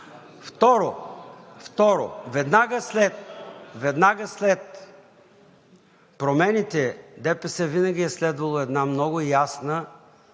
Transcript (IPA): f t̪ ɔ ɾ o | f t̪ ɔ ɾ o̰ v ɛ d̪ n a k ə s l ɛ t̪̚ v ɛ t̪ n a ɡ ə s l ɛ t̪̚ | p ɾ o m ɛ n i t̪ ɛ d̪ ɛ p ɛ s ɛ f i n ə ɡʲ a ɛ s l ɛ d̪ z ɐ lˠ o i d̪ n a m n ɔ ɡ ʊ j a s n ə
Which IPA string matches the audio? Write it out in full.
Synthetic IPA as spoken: f t̪ ɔ ɾ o | f t̪ ɔ ɾ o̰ v ɛ d̪ n a ɡ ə s l ɛ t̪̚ v ɛ d̪ n a ɡ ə s l ɛ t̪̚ | p ɾ o m ɛ n i t̪ ɛ d̪ ɛ p ɛ s ɛ v i n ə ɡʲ i ɛ s l ɛ d̪ v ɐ lˠ o ɛ d̪ n a m n ɔ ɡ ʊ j a s n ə